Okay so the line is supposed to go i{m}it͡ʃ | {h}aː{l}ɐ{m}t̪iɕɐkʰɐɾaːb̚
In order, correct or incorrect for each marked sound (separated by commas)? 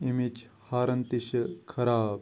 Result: correct, correct, incorrect, incorrect